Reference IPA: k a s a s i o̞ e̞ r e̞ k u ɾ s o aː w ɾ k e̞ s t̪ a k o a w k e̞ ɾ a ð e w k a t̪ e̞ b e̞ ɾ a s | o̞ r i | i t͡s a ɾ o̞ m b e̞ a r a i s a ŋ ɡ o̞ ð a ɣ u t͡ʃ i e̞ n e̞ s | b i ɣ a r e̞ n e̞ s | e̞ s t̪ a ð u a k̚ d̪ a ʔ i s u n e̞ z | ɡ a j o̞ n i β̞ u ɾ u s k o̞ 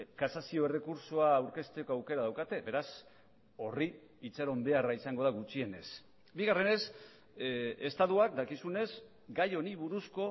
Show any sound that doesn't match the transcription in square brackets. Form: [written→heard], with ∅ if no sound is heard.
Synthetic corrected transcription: k a s a s i o̞ e̞ r e̞ k u ɾ s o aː w ɾ k e̞ s t̪ [a→e] k o a w k e̞ ɾ a ð [e→a] w k a t̪ e̞ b e̞ ɾ a s | o̞ r i | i t͡s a ɾ o̞ m b e̞ a r a i s a ŋ ɡ o̞ ð a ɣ u t͡ʃ i e̞ n e̞ s | b i ɣ a r e̞ n e̞ s | e̞ s t̪ a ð u a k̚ d̪ a [ʔ→k] i s u n e̞ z | ɡ a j o̞ n i β̞ u ɾ u s k o̞